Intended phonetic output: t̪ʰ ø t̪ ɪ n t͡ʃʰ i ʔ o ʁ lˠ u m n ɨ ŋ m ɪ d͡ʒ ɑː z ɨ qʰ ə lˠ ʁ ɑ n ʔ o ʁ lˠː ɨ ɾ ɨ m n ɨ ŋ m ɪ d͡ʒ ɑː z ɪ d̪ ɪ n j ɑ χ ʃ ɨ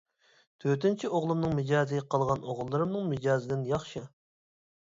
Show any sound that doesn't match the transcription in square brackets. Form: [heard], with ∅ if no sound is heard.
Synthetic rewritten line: t̪ʰ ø t̪ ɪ n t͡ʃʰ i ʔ o ʁ lˠ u m n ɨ ŋ m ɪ d͡ʒ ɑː z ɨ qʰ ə lˠ ʁ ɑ n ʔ o ʁ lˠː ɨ ɾ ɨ m n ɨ ŋ m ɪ d͡ʒ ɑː z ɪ d̪ ɪ n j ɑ χ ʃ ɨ